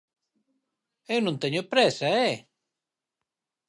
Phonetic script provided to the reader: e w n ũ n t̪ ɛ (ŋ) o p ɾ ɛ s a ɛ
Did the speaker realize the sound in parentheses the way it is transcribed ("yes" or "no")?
no